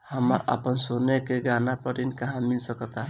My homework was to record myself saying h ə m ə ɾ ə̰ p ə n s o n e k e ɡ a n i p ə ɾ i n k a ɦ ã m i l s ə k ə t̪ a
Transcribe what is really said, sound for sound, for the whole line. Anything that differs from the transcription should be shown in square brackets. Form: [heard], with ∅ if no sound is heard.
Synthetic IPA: h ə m ə ɾ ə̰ p ə n s o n e k e ɡ a n [a] p ə ɾ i n k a ɦ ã m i l s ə k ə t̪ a